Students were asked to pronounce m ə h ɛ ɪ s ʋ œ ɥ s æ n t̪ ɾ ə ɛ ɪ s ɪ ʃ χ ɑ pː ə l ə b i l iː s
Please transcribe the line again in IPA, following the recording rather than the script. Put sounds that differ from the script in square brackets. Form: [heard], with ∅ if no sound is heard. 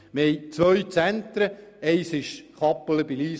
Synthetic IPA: m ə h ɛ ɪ [t͡s] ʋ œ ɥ [t͡s] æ n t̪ ɾ ə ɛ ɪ s ɪ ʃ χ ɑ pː ə l ə b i l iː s